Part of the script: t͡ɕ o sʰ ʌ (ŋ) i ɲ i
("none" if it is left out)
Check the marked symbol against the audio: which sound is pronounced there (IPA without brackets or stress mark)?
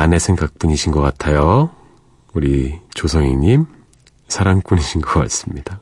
ŋ